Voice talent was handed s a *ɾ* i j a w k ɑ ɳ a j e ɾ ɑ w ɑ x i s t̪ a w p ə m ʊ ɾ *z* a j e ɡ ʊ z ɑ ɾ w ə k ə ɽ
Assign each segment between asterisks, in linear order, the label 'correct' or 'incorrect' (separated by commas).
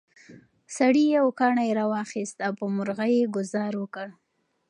incorrect, incorrect